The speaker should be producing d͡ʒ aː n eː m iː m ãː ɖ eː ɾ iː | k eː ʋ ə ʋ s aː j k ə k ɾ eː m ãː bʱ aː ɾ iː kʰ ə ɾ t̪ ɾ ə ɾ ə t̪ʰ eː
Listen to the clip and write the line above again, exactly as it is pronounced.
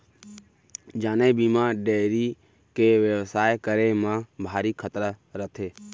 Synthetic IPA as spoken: d͡ʒ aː n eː b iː m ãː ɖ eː ɾ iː | k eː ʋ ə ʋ s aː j k ə ɾ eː m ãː bʱ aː ɾ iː kʰ ə t̪ ɾ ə ɾ ə t̪ʰ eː